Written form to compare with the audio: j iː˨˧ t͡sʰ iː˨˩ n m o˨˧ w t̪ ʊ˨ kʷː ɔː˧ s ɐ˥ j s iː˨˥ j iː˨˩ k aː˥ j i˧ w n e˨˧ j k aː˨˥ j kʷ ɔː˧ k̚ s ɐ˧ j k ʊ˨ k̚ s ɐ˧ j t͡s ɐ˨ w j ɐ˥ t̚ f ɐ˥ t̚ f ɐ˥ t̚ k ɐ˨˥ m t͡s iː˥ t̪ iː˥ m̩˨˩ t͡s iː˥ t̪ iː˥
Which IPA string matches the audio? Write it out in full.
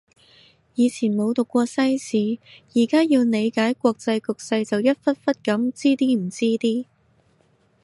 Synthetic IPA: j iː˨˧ t͡sʰ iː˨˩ n m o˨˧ w t̪ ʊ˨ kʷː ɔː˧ s ɐ˥ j s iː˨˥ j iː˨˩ k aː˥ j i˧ w n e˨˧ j k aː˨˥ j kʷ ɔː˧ k̚ t͡s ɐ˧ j k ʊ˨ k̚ s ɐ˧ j t͡s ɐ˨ w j ɐ˥ t̚ f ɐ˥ t̚ f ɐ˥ t̚ k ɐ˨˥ m t͡s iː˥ t̪ iː˥ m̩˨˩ t͡s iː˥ t̪ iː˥

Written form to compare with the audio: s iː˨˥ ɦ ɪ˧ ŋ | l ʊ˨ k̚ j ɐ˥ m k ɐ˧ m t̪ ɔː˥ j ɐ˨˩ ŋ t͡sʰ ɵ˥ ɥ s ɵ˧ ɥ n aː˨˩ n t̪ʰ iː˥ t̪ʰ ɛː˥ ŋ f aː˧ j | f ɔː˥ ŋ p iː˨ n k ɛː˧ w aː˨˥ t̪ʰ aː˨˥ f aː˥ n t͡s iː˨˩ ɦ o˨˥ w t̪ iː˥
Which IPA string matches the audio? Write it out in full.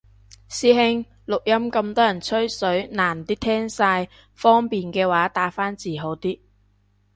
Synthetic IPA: s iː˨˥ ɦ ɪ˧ ŋ | l ʊ˨ k̚ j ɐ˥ m k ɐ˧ m t̪ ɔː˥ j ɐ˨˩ n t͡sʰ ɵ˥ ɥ s ɵ˨˥ ɥ n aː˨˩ n t̪ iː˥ t̪ʰ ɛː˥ ŋ s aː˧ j | f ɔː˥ ŋ p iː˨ n k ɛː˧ w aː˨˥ t̪ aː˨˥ f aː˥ n t͡s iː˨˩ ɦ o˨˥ w t̪ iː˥

